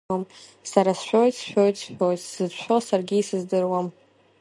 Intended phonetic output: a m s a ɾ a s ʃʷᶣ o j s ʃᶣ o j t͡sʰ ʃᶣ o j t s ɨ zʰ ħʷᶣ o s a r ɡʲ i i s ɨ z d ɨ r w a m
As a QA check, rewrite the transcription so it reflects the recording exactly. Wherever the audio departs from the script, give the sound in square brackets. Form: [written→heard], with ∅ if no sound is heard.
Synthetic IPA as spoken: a m s a ɾ a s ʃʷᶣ o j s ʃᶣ o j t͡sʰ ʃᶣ o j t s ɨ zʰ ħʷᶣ o s a r ɡʲ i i s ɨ z d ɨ r w a m